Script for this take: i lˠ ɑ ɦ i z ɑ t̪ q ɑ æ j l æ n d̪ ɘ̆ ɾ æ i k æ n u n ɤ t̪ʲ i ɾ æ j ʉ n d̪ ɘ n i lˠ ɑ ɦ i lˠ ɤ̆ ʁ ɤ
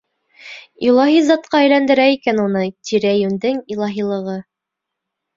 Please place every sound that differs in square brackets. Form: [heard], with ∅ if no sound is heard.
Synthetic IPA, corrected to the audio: i lˠ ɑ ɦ i z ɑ t̪ q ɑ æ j l æ n d̪ ɘ̆ ɾ æ i k æ n u n ɤ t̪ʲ i ɾ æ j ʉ n d̪ ɘ [ŋ] i lˠ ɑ ɦ i lˠ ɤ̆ ʁ ɤ